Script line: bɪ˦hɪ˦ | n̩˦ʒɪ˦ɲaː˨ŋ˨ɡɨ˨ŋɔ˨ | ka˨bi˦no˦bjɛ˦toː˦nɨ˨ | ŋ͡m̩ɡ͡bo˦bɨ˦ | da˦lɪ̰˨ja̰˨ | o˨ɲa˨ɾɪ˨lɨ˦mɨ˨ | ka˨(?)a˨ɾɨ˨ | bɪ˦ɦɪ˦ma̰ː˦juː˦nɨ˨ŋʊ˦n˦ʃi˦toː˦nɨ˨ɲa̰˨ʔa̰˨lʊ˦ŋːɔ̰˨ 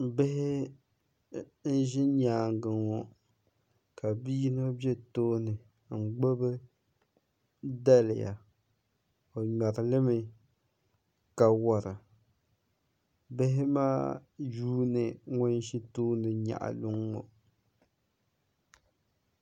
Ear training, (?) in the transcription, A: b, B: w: B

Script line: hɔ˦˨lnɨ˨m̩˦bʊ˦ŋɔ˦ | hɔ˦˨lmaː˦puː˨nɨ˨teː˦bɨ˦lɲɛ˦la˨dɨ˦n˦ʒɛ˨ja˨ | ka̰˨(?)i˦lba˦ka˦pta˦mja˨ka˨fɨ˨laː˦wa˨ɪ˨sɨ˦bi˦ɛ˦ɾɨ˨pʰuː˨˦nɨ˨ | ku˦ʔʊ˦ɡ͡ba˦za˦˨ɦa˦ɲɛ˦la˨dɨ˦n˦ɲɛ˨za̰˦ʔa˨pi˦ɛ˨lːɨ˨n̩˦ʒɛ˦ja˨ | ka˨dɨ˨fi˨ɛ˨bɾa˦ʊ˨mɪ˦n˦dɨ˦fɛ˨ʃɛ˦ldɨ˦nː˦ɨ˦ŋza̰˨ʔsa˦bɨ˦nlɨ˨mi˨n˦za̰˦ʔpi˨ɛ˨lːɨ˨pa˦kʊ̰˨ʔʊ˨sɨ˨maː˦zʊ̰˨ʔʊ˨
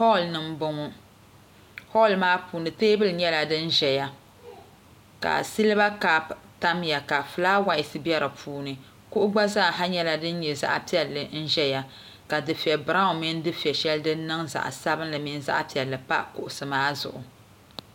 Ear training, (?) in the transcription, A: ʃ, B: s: B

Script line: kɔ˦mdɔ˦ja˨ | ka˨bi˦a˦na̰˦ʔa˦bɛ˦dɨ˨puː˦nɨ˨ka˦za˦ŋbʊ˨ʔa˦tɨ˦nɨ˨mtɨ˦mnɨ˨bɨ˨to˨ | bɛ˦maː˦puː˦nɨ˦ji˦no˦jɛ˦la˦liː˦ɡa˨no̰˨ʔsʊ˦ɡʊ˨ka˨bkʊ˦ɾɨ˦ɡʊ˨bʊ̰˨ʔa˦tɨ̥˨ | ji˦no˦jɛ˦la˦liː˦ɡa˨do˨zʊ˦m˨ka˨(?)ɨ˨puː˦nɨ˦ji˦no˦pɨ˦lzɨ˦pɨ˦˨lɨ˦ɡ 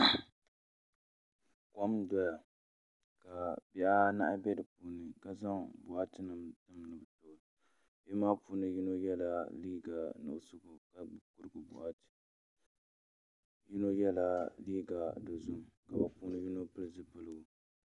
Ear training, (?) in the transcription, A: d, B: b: B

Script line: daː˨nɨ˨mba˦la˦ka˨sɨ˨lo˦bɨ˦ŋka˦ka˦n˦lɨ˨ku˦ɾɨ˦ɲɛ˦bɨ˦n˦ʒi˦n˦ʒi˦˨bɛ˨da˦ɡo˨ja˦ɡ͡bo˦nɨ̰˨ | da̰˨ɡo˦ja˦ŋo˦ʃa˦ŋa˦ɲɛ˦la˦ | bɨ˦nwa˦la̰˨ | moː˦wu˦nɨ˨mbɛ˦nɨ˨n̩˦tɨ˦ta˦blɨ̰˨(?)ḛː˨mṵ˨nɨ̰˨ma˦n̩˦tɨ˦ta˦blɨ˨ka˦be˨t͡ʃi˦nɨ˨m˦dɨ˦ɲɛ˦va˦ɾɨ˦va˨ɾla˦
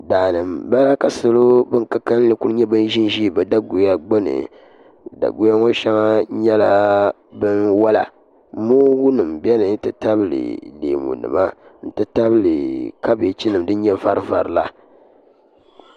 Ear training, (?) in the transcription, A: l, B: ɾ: A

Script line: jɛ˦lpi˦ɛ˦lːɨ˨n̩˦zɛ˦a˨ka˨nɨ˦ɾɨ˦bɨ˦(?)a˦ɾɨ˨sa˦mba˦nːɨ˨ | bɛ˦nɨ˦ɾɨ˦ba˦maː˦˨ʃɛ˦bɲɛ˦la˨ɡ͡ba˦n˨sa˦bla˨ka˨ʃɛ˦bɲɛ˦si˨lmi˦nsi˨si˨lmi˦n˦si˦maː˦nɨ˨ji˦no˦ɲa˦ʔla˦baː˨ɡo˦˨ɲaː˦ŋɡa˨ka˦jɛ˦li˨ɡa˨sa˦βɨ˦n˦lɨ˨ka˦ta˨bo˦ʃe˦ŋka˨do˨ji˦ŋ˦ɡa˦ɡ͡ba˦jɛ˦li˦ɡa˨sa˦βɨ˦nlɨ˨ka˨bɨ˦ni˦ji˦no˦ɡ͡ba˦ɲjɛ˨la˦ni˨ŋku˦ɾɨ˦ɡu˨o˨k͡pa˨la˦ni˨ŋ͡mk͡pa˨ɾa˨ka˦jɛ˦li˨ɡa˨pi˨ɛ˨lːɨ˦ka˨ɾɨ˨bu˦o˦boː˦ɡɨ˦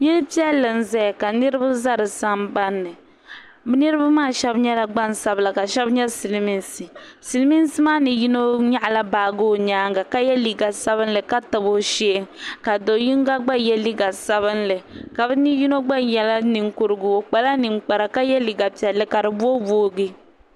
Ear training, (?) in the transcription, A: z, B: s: A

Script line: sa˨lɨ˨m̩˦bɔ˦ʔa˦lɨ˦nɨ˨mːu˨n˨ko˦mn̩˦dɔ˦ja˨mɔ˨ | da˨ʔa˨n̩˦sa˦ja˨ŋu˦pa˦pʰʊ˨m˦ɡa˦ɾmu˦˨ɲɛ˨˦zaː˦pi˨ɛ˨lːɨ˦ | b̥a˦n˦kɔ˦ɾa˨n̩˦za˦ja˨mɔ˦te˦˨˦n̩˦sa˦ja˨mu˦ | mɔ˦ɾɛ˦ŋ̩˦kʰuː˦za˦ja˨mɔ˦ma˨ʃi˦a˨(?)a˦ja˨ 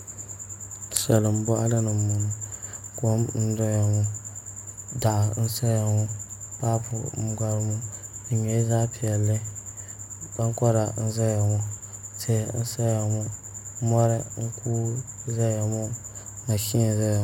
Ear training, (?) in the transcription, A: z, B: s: A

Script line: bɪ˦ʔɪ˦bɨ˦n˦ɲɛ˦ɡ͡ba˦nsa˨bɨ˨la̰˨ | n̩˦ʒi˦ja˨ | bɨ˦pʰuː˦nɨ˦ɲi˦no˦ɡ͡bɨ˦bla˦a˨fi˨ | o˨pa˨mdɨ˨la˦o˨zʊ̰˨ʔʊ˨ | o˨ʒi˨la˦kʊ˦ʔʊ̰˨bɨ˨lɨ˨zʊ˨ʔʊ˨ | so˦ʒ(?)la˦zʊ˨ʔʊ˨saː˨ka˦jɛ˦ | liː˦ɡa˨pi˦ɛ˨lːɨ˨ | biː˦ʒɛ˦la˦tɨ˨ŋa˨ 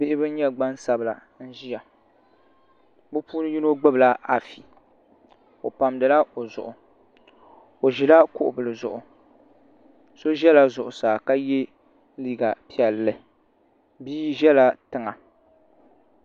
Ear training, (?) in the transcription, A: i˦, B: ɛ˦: B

